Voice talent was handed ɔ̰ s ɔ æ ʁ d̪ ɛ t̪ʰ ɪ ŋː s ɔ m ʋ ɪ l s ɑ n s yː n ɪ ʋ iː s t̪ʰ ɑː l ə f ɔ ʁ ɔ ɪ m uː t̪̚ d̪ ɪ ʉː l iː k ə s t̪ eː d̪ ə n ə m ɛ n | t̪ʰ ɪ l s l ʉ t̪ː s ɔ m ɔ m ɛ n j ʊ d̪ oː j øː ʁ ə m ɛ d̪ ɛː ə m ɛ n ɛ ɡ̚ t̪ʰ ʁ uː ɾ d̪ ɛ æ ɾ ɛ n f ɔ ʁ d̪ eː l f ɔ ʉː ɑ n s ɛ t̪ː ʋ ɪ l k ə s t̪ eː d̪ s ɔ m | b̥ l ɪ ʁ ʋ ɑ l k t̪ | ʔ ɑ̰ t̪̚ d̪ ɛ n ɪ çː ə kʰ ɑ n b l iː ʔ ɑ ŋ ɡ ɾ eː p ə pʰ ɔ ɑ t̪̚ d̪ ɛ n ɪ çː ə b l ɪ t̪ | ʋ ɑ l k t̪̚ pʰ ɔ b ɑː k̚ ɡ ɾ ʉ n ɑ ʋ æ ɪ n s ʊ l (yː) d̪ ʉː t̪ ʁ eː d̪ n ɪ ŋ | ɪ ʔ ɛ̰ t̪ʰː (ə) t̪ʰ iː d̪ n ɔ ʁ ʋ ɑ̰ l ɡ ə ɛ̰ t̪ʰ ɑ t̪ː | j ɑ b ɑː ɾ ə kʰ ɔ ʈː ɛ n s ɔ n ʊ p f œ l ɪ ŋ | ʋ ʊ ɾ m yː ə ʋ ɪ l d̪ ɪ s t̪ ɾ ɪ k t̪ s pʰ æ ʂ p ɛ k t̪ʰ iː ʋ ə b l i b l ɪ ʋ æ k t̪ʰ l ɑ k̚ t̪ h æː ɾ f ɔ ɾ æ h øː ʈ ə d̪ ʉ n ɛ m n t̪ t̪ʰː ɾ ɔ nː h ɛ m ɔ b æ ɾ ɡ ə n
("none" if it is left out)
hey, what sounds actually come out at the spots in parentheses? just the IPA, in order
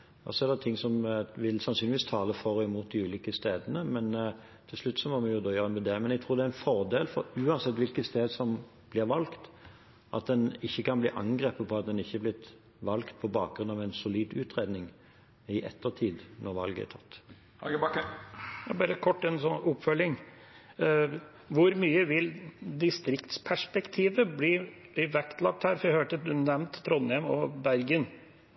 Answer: iː, ə

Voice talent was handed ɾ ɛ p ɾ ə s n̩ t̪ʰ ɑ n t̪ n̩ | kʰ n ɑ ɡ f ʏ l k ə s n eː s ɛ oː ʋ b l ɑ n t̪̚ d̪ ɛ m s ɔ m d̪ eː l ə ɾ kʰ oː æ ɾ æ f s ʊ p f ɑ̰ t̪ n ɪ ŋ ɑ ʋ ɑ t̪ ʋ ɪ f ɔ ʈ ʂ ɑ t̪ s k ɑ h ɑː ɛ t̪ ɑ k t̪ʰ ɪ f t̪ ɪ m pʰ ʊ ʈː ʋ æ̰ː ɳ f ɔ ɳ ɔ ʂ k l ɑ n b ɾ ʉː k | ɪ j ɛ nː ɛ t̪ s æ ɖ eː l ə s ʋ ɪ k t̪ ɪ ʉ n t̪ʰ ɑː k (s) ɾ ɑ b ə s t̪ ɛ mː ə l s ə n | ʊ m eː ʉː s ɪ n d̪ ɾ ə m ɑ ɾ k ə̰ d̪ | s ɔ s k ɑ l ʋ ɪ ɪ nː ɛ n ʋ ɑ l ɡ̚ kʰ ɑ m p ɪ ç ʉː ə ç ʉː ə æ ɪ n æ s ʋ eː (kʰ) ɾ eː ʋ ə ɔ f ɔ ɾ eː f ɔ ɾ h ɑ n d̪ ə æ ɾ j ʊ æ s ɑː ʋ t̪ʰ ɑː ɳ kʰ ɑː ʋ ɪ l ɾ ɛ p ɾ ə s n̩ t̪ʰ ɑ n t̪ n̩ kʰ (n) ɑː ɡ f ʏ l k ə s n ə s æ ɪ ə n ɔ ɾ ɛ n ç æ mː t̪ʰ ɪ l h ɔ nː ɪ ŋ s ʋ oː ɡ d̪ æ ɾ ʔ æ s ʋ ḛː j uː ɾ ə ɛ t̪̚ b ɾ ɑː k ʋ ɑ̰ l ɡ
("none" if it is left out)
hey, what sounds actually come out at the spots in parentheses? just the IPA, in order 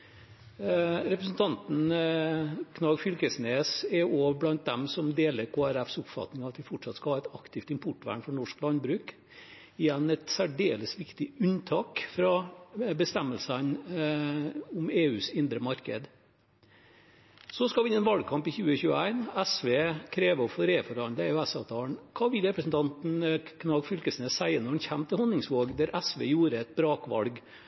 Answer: f, kʰ, n

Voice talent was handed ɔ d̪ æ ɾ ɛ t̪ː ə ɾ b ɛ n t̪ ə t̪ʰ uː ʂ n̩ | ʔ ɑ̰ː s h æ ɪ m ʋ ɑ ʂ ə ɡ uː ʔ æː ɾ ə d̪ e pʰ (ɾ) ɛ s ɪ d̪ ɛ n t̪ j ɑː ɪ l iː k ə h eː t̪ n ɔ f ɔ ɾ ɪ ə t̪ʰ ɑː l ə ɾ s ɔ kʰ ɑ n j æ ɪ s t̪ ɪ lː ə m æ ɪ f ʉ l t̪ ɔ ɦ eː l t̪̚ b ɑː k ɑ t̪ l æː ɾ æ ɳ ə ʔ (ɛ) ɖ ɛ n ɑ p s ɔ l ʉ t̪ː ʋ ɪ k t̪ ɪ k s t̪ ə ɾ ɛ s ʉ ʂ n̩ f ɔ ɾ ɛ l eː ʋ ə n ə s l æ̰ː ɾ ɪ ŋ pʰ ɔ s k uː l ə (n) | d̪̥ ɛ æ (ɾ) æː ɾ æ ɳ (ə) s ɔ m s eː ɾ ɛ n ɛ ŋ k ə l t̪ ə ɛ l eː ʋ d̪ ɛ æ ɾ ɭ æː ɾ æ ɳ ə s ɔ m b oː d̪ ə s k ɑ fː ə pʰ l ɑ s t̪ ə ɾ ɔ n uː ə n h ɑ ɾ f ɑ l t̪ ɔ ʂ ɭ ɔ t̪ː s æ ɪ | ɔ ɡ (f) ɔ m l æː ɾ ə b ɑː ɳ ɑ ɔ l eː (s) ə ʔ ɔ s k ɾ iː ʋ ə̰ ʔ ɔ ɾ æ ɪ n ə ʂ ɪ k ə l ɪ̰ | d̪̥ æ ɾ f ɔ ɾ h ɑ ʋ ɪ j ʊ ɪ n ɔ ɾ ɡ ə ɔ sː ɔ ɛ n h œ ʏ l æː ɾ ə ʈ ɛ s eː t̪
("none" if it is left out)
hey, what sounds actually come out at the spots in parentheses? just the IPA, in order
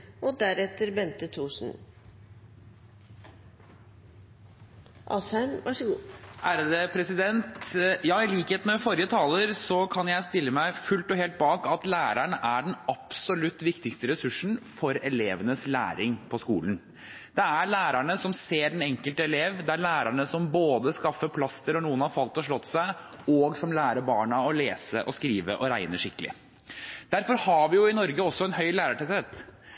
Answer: ɾ, æ, n, ɭ, ə, s, s

